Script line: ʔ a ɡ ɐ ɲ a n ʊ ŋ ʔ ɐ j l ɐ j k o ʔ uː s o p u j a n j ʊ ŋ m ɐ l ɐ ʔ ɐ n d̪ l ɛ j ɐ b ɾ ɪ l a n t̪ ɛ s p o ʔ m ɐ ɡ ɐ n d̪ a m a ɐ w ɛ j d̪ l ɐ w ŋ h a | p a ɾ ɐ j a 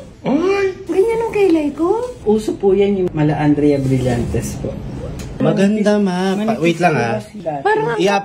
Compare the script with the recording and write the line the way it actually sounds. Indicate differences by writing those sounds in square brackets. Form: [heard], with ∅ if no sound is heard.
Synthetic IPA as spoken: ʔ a ɡ ɐ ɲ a n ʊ ŋ [k] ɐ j l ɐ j k o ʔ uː s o p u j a n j ʊ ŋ m ɐ l ɐ ʔ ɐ n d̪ [ɾ] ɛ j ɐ b ɾ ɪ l a n t̪ ɛ s p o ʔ m ɐ ɡ ɐ n d̪ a m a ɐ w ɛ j [t̪] l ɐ [∅] ŋ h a | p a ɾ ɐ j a